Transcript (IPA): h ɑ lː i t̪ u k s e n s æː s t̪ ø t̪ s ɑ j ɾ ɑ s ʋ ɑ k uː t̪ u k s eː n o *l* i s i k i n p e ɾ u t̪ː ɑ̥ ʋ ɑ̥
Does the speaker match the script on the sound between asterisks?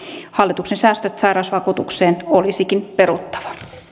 yes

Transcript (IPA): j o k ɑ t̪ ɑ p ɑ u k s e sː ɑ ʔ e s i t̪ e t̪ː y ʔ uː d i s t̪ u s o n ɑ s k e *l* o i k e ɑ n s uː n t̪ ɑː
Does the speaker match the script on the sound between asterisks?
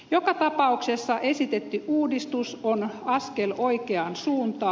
yes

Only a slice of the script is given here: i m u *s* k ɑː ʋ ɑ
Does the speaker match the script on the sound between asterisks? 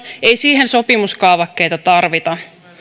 yes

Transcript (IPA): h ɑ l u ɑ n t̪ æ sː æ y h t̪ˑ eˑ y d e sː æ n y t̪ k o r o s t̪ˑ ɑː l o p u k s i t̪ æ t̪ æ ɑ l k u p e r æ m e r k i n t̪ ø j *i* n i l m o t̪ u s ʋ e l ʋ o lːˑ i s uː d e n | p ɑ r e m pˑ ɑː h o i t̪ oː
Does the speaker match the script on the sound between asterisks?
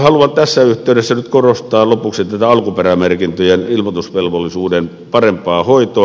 no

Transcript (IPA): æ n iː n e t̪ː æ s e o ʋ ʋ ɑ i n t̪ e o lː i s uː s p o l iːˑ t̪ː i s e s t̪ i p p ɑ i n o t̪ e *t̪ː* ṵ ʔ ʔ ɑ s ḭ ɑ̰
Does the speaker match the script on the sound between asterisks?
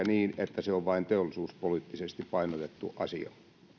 yes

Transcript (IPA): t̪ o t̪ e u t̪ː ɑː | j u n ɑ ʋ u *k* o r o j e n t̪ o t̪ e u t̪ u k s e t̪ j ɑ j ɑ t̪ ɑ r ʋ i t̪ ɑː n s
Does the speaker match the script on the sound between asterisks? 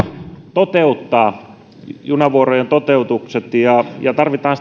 no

